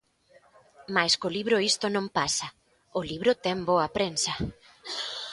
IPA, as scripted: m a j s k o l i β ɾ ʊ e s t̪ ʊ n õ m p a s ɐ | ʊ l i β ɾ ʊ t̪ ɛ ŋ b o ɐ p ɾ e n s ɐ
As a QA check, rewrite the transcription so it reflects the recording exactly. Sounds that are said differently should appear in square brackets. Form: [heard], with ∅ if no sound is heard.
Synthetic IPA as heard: m a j s k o l i β ɾ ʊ [i] s t̪ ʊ n õ m p a s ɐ | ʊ l i β ɾ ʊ t̪ ɛ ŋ b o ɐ p ɾ e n s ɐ